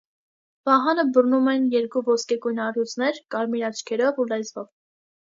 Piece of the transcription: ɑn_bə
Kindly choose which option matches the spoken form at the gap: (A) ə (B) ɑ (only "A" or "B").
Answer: A